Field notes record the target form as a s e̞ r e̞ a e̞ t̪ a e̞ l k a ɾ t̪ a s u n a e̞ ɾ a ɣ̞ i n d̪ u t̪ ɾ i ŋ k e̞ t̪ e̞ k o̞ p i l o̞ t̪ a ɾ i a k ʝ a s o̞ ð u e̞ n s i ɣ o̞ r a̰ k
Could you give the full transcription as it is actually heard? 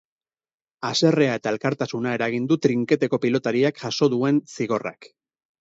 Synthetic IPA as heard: a s e̞ r e̞ a e̞ t̪ a e̞ l k a ɾ t̪ a s u n a e̞ ɾ a ɣ̞ i n d̪ u t̪ ɾ i ŋ k e̞ t̪ e̞ k o̞ p i l o̞ t̪ a ɾ i a k ʝ a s o̞ ð u e̞ n s i ɣ o̞ r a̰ k